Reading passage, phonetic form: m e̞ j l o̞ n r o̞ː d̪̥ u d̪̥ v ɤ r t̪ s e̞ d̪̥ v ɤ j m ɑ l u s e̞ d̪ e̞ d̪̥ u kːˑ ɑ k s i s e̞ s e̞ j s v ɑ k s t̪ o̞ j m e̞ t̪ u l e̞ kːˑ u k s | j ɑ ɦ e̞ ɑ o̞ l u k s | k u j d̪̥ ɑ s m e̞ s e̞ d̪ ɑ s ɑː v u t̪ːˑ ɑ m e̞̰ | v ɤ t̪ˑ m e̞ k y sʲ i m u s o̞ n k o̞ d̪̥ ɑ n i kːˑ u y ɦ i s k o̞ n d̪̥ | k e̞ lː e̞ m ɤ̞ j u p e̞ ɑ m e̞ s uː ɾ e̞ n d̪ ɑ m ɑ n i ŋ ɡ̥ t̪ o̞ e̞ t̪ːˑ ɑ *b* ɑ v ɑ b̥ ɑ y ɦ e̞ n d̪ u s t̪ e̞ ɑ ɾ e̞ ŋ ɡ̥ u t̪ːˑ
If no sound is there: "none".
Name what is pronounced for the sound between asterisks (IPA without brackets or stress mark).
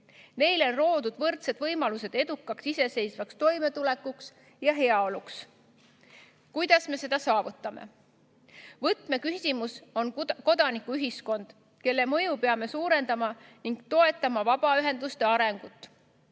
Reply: m